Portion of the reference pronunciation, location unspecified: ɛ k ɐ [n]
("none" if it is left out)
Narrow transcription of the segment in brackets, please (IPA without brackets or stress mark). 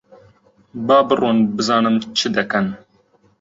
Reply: n